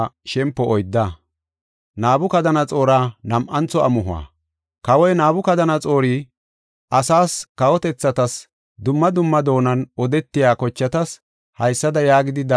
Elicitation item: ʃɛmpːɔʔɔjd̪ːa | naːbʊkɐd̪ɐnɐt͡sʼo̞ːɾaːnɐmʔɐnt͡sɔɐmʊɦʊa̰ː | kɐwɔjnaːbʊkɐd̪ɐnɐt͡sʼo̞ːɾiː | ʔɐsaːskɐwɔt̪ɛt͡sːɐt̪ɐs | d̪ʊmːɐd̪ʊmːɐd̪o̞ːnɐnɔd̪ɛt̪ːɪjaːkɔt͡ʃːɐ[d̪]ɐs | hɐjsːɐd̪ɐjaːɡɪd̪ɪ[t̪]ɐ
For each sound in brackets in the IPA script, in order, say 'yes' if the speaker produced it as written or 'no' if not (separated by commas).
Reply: no, no